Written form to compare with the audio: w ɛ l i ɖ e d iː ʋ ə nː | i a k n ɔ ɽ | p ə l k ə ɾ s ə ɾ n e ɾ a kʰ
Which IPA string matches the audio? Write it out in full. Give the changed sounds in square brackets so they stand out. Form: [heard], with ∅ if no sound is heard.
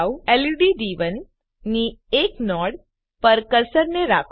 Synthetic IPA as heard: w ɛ l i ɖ [i] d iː ʋ ə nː | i [e] k n ɔ ɽ | p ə [ɾ] k ə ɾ s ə ɾ n e ɾ a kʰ